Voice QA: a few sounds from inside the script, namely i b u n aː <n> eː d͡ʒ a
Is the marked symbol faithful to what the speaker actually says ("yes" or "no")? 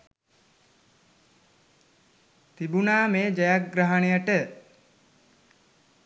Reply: no